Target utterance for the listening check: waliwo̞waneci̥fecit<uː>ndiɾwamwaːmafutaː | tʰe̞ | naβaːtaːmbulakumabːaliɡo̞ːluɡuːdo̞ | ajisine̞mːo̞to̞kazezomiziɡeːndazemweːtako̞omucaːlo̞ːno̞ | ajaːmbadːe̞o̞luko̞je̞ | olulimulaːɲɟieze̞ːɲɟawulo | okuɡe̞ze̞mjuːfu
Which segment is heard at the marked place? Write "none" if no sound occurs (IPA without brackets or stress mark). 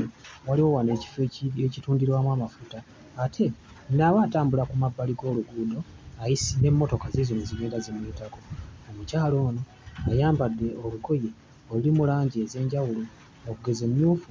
uː